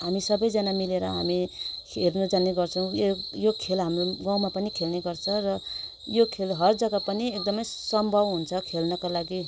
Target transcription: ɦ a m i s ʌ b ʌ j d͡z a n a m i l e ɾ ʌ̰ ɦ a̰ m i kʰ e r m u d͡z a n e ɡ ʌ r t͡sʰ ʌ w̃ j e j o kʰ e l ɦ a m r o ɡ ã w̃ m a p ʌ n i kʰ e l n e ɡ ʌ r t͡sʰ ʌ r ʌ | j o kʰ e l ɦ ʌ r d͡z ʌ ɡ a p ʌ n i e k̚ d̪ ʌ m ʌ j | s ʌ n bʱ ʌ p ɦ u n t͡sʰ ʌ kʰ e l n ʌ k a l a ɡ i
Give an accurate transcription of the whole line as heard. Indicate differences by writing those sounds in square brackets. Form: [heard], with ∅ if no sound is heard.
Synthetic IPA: ɦ a m i s ʌ b ʌ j d͡z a n a m i l e ɾ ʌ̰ ɦ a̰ m i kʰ e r [n] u d͡z a n e ɡ ʌ r t͡sʰ ʌ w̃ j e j o kʰ e l ɦ a m r o ɡ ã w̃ m a p ʌ n i kʰ e l n e ɡ ʌ r t͡sʰ ʌ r ʌ | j o kʰ e l ɦ ʌ r d͡z ʌ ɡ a p ʌ n i e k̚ d̪ ʌ m ʌ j | s ʌ [m] bʱ ʌ [b] ɦ u n t͡sʰ ʌ kʰ e l n ʌ k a l a ɡ i